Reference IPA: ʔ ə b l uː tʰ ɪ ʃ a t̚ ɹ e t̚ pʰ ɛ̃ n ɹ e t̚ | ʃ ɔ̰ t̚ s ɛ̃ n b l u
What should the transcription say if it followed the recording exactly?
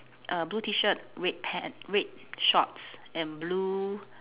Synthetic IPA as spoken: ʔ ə b l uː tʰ i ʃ ə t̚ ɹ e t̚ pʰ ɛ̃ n ɹ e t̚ | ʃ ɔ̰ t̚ s ɛ̃ n b l u